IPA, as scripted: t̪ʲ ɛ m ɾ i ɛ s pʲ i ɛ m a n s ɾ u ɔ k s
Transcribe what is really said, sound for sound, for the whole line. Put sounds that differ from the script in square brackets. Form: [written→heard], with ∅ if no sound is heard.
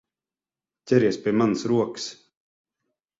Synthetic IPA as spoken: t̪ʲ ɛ [m→∅] ɾ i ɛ s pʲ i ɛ m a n s ɾ u ɔ k s